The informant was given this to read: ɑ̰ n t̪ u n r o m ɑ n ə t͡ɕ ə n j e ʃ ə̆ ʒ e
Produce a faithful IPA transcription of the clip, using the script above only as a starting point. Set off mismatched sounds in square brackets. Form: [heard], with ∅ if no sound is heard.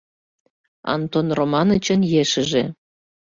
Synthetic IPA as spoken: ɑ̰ n t̪ [o] n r o m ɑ n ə t͡ɕ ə n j e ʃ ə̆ ʒ e